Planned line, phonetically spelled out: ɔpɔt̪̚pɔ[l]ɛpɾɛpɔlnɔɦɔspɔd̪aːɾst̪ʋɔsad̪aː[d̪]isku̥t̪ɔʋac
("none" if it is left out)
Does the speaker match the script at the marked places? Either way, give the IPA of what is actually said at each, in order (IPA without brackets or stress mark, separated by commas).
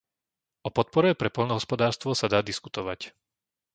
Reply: ɾ, d̪